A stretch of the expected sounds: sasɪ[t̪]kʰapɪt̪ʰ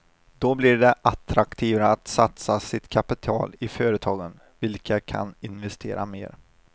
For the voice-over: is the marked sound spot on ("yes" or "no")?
yes